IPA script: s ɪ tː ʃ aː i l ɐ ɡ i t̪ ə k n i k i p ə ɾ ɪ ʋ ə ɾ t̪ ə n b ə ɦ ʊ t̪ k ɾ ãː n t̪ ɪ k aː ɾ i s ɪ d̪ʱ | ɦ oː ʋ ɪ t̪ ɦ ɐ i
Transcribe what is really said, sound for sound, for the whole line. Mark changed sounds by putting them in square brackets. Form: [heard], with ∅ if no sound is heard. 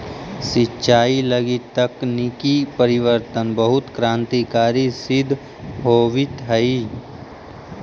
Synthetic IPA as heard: s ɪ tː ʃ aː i l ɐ ɡ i t̪ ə k n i k i p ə ɾ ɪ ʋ ə ɾ t̪ ə n b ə ɦ ʊ t̪ k ɾ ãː n t̪ [i] k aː ɾ i s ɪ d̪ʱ | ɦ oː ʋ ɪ t̪ ɦ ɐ i